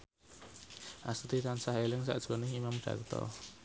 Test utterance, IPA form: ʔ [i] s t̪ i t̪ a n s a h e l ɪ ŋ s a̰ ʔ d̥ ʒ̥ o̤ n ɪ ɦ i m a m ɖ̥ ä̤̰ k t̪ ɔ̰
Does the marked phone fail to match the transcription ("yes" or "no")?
yes